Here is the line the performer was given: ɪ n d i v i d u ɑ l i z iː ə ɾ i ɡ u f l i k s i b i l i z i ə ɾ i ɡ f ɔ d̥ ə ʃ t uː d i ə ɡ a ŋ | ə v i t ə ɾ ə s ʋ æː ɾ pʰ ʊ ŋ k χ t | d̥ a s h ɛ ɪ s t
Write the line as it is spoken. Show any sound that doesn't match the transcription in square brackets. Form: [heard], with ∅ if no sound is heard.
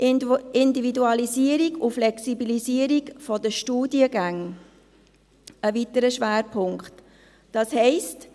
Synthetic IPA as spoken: ɪ n d i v i d u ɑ l i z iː ə ɾ i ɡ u f l [ɛ] k s i b i l i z i ə ɾ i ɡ f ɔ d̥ ə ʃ t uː d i ə ɡ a ŋ | ə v i t ə ɾ ə [ʃ] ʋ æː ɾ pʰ ʊ ŋ k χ t | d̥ [ɑ] s h ɛ ɪ s t